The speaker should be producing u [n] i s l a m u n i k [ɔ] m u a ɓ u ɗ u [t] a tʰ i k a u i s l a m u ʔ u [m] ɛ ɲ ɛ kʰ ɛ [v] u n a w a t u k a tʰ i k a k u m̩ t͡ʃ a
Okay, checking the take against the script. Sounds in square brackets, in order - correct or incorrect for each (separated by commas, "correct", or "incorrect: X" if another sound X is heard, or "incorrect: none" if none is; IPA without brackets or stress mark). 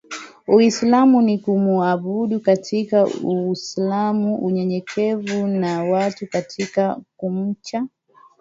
incorrect: none, incorrect: u, incorrect: k, incorrect: ɲ, correct